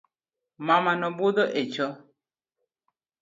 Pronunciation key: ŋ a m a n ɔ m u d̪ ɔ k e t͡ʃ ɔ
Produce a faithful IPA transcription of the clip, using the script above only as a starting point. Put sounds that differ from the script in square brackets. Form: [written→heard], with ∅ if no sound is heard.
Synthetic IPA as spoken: [ŋ→m] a m a n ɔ [m→b] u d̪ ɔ [k→ʔ] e t͡ʃ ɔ